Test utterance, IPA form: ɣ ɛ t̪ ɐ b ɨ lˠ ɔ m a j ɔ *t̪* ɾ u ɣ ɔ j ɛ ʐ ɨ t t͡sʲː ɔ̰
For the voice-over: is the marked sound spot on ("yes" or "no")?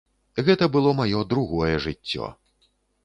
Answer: no